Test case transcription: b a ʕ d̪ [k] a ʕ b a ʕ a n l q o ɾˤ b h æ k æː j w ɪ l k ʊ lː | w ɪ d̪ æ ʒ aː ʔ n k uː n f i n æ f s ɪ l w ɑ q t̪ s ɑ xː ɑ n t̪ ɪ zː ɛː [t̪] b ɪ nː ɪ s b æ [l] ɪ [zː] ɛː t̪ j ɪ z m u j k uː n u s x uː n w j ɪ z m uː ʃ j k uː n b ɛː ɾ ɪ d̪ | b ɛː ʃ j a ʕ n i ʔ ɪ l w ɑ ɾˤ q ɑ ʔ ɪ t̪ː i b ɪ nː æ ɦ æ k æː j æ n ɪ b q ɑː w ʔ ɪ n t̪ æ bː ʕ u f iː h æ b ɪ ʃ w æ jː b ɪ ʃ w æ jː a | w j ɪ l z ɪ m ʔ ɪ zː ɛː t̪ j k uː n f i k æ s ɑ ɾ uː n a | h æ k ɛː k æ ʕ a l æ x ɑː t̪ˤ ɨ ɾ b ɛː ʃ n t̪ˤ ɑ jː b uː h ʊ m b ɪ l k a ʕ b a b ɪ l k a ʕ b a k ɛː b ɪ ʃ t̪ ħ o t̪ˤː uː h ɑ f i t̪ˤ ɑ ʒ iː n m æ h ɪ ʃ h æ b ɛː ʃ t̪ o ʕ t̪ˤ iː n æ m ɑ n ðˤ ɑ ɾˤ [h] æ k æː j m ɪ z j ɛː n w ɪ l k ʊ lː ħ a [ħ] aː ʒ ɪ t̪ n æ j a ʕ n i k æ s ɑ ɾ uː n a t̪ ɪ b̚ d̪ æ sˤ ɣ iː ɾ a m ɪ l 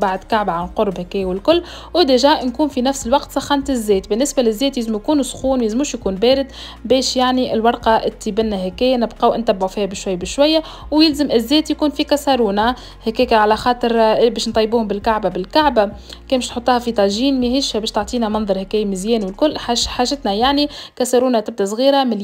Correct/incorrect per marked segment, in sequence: correct, correct, correct, correct, correct, correct

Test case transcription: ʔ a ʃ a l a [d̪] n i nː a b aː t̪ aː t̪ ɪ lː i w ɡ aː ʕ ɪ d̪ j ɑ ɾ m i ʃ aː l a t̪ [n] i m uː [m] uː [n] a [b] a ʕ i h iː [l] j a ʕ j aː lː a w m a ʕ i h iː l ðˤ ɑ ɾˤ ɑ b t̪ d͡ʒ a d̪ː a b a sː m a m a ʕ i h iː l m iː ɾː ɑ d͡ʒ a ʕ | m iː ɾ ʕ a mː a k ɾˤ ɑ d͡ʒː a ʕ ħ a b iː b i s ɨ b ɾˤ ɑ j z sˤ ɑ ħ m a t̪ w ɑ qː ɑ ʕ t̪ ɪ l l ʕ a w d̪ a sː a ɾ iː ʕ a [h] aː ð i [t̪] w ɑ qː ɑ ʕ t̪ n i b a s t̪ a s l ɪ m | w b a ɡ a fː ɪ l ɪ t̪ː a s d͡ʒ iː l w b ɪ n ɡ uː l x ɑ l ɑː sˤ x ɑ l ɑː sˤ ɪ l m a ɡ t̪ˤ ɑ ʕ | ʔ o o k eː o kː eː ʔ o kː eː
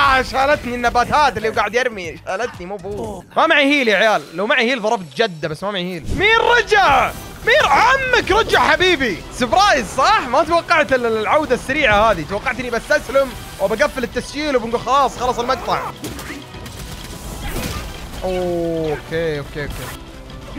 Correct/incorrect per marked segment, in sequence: incorrect, correct, incorrect, incorrect, incorrect, correct, correct, correct

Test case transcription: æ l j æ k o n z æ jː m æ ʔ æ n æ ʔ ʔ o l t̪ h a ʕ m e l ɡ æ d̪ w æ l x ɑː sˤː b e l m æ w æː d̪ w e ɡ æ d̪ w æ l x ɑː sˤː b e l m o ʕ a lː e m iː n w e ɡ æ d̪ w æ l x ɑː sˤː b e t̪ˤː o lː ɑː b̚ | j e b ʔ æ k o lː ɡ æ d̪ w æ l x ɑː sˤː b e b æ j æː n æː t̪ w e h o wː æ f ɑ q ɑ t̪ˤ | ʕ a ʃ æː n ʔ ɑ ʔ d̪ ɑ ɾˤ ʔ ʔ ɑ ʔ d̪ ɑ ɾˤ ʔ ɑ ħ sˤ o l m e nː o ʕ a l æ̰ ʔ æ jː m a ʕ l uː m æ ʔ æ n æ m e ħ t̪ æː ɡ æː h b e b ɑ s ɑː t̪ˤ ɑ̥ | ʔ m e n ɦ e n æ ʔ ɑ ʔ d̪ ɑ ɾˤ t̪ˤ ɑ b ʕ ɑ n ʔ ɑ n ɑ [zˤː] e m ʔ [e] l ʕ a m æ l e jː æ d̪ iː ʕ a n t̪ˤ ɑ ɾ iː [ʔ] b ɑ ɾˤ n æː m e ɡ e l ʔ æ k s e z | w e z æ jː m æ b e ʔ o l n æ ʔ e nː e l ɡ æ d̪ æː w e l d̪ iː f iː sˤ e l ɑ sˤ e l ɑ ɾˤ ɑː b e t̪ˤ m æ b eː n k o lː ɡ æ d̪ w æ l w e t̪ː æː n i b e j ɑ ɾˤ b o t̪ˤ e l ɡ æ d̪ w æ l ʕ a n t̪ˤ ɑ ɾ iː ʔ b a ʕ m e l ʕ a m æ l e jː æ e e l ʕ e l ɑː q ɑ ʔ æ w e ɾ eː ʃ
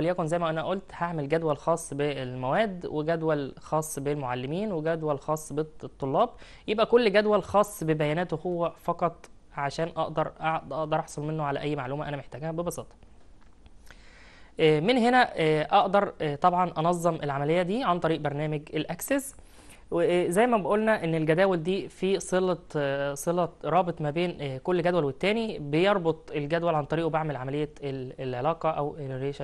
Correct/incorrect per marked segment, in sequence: correct, correct, correct

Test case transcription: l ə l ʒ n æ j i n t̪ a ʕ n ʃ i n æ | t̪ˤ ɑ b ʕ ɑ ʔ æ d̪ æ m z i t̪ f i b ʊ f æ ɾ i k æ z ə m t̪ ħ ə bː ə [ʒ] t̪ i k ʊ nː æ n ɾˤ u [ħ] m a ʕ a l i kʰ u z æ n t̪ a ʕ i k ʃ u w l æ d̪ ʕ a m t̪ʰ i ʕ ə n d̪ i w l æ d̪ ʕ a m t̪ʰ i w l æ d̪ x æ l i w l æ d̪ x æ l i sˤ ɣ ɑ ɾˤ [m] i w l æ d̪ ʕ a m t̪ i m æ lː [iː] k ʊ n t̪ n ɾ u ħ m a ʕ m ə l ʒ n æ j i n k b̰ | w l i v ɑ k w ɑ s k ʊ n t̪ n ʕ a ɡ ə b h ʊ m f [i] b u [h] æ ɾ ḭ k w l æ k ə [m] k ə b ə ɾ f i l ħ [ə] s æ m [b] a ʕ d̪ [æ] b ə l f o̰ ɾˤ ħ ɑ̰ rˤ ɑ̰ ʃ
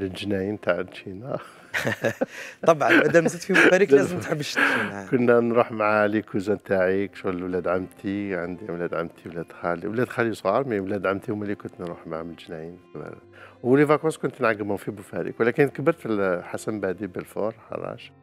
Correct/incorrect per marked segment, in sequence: incorrect, correct, correct, incorrect, correct, incorrect, incorrect, incorrect, correct, incorrect

